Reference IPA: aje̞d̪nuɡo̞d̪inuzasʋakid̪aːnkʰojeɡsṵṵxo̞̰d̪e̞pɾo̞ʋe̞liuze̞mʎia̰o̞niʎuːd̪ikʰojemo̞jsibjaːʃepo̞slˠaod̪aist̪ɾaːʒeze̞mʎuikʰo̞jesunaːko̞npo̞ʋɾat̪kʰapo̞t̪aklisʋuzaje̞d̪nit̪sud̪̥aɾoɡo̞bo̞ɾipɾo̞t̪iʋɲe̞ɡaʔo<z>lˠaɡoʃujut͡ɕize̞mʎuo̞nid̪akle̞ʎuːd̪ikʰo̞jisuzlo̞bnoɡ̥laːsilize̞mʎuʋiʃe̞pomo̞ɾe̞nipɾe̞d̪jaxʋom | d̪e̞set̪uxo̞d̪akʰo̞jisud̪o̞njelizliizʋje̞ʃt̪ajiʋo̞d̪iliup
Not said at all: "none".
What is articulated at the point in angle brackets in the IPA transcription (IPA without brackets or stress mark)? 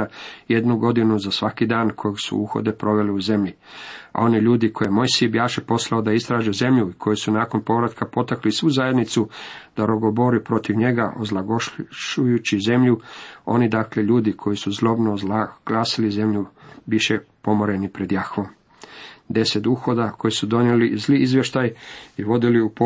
z